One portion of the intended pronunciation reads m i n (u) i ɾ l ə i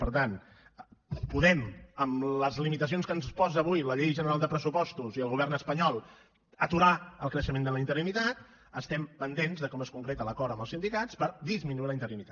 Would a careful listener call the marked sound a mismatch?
no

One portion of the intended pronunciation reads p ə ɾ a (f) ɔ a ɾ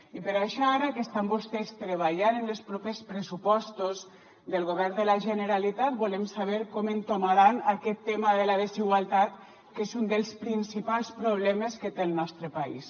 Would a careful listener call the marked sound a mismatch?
yes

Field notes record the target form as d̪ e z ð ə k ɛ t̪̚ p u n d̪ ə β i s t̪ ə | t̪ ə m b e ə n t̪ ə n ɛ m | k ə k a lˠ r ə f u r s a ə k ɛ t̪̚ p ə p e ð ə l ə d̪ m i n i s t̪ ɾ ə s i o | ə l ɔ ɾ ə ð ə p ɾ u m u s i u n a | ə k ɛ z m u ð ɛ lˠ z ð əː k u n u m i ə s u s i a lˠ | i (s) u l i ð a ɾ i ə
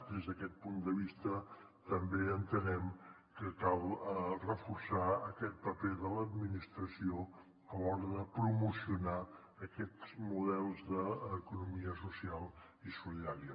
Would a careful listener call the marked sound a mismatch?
no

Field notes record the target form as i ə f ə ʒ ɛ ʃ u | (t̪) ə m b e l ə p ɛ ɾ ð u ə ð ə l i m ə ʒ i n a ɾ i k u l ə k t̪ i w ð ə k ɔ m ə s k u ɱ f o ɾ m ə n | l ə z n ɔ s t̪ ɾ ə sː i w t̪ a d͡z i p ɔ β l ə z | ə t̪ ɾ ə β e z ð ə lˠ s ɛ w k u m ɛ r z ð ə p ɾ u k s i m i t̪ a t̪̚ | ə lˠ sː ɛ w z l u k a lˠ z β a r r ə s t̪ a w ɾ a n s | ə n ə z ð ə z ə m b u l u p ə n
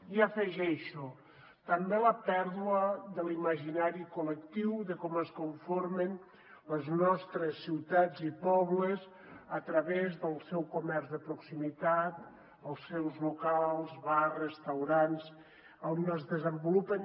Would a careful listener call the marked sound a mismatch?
no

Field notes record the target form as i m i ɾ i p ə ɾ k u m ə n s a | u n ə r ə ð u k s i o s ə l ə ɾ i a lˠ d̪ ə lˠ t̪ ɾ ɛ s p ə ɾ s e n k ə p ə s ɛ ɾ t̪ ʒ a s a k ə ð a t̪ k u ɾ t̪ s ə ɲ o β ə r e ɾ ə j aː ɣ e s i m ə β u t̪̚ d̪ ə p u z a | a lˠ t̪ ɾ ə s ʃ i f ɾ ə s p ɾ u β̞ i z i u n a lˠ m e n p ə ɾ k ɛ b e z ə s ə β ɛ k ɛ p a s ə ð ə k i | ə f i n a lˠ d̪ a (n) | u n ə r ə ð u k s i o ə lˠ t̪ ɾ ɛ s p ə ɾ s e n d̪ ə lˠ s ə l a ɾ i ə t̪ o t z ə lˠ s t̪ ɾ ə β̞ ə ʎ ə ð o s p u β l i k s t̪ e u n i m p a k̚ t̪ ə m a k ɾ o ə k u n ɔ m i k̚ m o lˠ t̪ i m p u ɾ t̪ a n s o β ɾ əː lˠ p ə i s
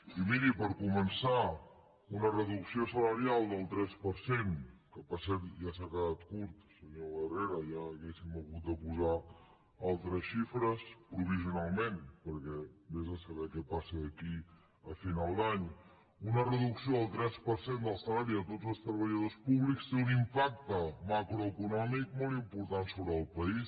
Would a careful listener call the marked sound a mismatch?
yes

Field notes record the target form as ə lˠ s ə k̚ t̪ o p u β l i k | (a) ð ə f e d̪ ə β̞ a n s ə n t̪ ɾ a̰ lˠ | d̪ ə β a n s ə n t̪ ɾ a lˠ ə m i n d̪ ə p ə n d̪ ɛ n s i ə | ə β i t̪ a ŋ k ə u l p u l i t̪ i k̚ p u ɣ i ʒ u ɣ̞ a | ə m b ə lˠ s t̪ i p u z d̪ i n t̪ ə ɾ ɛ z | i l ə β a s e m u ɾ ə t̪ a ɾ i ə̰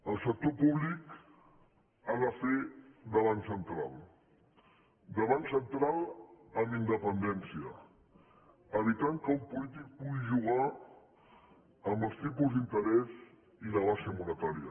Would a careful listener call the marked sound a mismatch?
no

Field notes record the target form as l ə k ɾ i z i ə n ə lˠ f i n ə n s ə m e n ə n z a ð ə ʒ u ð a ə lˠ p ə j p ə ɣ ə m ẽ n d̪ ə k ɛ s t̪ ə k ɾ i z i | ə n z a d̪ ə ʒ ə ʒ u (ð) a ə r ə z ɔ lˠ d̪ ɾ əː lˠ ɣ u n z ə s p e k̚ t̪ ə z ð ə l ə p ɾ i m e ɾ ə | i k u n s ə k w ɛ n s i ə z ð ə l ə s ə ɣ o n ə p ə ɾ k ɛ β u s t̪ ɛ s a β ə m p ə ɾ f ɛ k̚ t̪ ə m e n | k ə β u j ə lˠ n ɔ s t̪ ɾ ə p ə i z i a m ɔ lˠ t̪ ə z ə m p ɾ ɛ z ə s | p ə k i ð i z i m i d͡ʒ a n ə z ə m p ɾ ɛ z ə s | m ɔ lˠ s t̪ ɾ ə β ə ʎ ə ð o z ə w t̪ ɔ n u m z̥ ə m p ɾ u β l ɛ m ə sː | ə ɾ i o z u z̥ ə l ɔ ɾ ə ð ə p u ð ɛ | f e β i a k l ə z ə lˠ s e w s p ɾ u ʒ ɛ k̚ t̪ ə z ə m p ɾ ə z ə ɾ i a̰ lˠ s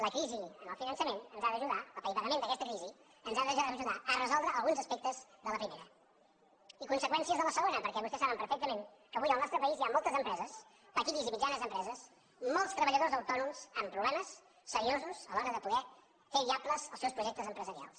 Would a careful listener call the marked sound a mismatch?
no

